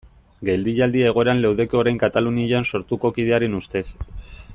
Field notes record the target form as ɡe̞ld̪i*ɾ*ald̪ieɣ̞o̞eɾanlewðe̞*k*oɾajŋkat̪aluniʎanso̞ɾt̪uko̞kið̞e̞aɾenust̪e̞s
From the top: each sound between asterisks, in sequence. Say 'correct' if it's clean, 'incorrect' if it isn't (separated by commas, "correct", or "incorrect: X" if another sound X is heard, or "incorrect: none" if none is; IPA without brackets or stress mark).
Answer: incorrect: ʎ, correct